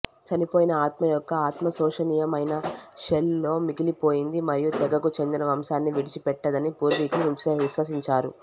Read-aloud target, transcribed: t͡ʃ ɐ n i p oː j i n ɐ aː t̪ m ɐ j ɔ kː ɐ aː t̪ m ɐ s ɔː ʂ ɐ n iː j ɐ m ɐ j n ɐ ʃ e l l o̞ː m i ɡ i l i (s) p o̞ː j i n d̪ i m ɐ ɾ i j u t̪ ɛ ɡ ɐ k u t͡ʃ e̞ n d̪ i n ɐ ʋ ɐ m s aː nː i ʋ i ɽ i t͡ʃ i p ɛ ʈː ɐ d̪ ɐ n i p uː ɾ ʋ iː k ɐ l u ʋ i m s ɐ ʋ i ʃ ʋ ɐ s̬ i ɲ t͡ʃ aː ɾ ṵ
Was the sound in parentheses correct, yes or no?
no